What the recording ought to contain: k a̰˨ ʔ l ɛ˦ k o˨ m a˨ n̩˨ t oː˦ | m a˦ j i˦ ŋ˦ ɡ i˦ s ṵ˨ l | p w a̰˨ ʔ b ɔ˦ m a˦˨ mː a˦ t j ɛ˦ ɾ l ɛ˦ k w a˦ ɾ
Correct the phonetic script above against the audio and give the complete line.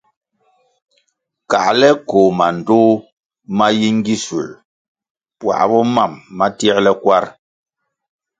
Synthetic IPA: k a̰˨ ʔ l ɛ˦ k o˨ m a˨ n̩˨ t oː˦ | m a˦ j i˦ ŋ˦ ɡ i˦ s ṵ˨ l | p w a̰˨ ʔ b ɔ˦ m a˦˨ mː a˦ t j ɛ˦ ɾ l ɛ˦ k w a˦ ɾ